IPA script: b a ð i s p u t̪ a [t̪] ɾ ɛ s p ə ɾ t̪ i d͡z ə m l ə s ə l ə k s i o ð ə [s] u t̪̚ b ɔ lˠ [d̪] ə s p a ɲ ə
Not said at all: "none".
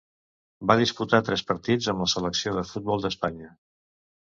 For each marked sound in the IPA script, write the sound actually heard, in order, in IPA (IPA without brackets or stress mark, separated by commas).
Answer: t̪, f, d̪